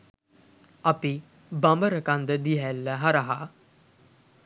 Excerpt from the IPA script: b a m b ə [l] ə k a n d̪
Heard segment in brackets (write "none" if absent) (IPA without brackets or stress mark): ɾ